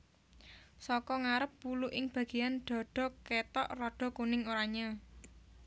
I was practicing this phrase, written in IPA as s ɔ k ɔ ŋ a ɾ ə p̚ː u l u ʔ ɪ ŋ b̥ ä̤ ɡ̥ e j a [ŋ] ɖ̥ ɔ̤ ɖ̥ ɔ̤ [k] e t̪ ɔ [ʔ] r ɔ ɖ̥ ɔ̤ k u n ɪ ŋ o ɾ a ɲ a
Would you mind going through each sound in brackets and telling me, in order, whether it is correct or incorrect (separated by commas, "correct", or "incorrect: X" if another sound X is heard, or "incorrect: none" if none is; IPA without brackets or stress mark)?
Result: incorrect: n, correct, correct